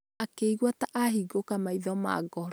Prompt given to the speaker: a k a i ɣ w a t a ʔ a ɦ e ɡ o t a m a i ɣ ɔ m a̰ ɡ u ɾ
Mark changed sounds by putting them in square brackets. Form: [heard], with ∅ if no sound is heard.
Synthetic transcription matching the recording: a k [e] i ɣ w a t a ʔ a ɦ [i] ɡ o [k] a m a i [ð] ɔ m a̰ ɡ [ɔ] ɾ

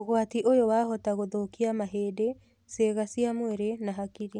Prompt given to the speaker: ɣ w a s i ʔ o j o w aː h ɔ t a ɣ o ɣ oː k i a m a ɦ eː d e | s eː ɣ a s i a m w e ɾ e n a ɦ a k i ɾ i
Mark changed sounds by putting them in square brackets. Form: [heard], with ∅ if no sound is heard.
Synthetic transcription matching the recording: ɣ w a [t] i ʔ o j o w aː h ɔ t a ɣ o [ð] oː k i a m a ɦ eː d e | s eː ɣ a s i a m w e ɾ e n a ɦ a k i ɾ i

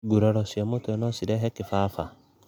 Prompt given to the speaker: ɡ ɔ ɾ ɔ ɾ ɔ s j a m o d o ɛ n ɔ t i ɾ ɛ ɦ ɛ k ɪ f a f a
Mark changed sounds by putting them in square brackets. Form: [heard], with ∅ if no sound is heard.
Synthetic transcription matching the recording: ɡ [u] ɾ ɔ ɾ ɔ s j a m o [t] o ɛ n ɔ [s] i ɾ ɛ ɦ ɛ k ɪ f a f a

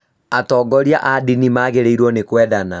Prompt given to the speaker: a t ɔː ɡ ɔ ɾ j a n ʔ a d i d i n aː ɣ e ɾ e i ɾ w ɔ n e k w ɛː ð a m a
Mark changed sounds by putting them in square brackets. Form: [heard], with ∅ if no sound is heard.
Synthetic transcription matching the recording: a t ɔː ɡ ɔ ɾ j a [∅] ʔ a d i [n] i [m] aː ɣ e ɾ e i ɾ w ɔ n e k w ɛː ð a [n] a

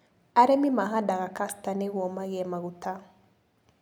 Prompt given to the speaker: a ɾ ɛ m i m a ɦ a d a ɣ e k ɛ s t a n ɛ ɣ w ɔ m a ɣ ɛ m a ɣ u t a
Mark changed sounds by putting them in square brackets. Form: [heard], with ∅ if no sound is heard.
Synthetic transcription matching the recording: a ɾ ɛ m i m a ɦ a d a ɣ [a] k [a] s t a n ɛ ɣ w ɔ m a ɣ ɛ m a ɣ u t a

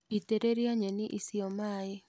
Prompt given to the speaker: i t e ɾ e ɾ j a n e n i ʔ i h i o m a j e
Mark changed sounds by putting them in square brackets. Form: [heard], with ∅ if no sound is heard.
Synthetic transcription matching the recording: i t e ɾ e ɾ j a [ɲ] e n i ʔ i [s] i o m a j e

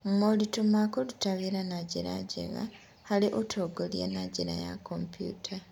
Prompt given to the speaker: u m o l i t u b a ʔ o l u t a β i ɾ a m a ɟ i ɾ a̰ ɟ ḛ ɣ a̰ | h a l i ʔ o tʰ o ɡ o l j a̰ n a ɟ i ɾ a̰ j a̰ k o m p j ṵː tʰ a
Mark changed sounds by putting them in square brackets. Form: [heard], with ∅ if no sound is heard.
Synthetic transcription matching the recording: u m o l i t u [m] a [k] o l u t a β i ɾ a [n] a ɟ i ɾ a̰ ɟ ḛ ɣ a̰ | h a l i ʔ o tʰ o ɡ o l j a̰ n a ɟ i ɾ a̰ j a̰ k o m p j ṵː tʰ a

